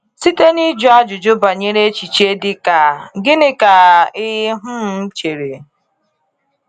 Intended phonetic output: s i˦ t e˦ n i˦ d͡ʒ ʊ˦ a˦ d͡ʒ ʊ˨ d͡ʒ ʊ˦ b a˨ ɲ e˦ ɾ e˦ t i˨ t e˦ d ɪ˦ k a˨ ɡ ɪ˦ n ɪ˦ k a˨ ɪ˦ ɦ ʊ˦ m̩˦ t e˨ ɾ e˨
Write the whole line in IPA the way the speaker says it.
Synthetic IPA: s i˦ t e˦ n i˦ d͡ʒ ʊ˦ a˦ d͡ʒ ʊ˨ d͡ʒ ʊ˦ b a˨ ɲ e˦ ɾ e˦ t͡ʃ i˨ t͡ʃ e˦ d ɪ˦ k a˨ ɡ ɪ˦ n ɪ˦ k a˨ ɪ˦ ɦ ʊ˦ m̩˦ t͡ʃ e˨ ɾ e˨

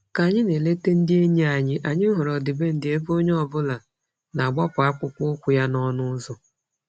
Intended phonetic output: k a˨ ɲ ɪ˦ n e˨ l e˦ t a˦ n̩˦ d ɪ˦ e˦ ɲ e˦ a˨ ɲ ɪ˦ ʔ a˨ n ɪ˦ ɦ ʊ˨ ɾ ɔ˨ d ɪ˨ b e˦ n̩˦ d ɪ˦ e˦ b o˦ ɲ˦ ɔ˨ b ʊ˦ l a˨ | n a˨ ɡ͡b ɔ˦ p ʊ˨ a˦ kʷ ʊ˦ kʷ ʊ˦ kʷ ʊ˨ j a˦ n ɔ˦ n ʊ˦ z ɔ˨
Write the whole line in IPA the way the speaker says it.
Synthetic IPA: k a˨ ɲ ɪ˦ n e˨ l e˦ t e˦ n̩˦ d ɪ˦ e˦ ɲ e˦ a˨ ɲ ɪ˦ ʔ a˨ ɲ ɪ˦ ɦ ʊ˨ ɾ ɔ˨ d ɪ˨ b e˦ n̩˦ d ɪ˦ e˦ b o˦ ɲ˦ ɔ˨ b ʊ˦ l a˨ | n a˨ ɡ͡b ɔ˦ p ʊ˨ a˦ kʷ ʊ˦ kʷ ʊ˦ kʷ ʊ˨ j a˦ n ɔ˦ n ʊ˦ z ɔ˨

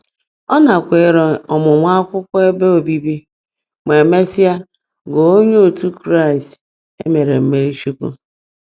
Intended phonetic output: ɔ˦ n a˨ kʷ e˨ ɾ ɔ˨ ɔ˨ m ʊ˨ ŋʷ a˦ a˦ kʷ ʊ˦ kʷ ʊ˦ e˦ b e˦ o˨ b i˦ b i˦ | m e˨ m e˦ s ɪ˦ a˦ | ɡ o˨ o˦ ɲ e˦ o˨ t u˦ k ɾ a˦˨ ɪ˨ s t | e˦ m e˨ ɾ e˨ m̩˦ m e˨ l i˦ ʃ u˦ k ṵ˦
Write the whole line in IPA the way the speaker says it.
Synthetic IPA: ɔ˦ n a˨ kʷ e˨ ɾ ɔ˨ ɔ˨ m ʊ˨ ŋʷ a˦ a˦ kʷ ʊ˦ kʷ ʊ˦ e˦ b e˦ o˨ b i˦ b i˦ | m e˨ m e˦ s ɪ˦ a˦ | ɡ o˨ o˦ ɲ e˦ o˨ t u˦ k ɾ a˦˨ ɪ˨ s t | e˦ m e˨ ɾ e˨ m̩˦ m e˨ ɾ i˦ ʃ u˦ k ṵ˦

